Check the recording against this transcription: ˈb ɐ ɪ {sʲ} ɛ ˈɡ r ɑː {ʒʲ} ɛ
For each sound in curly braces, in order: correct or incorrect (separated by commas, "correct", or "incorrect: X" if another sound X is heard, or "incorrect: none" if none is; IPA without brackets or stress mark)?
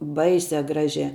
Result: correct, correct